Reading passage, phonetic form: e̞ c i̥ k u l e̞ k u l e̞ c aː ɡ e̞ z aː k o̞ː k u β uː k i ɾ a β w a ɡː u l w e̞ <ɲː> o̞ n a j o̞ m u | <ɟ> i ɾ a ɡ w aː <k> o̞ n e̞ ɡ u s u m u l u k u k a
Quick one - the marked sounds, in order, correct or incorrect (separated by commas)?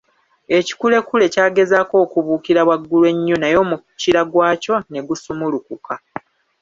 correct, incorrect, incorrect